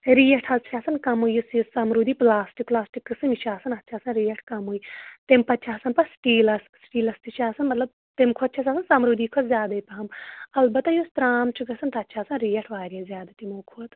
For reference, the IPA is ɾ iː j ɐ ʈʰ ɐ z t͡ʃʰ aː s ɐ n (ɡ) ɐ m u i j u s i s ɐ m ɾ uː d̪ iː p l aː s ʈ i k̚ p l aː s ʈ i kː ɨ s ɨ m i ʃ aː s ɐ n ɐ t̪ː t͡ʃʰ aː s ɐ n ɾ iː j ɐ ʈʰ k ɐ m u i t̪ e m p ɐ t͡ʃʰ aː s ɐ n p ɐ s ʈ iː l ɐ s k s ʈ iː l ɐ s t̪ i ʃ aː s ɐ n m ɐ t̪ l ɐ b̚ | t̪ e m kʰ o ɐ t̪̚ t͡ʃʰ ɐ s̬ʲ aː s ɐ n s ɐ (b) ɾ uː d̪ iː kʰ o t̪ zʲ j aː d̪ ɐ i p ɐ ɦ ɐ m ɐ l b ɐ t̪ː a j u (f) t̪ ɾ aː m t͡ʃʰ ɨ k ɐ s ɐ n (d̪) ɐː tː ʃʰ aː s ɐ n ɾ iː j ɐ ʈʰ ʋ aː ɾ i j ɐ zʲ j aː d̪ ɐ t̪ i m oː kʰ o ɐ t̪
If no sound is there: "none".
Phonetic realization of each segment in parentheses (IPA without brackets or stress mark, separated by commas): k, m, s, t̪